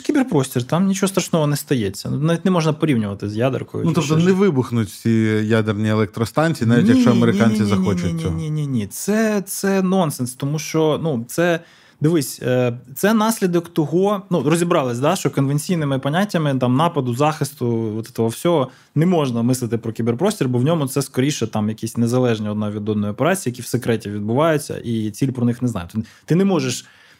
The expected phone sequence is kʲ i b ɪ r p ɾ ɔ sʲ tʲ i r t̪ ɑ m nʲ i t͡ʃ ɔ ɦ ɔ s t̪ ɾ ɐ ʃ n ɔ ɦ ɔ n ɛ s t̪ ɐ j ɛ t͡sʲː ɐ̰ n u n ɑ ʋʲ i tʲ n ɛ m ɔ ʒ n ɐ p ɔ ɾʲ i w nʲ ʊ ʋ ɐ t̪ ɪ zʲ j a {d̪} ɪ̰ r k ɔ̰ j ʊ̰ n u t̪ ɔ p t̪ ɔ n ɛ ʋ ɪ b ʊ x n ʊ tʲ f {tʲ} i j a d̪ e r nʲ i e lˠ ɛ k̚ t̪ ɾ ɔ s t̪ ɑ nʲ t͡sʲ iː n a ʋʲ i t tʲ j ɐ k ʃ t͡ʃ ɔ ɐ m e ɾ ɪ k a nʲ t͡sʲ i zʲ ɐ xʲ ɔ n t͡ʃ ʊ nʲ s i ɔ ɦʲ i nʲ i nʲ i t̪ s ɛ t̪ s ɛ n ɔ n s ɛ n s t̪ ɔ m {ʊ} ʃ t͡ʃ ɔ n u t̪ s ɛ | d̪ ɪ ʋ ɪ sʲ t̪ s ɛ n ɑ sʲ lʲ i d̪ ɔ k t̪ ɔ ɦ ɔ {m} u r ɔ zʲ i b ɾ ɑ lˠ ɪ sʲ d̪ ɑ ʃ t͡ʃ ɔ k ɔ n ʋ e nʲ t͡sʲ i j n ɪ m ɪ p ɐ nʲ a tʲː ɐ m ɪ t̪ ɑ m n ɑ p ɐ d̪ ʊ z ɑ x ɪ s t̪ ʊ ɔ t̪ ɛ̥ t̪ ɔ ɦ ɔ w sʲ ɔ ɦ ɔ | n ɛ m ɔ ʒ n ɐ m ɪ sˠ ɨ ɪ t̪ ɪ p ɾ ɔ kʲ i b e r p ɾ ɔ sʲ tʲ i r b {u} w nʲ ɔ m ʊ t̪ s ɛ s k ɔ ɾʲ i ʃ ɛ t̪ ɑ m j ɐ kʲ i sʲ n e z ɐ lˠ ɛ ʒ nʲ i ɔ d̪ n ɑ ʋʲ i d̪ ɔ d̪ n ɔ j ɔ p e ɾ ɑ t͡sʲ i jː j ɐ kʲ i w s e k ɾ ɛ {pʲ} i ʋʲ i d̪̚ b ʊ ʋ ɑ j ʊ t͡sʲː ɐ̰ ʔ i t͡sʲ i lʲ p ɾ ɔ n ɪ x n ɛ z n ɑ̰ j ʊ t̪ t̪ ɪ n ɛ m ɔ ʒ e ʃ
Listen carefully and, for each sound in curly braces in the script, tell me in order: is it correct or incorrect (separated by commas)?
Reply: correct, incorrect, incorrect, incorrect, incorrect, incorrect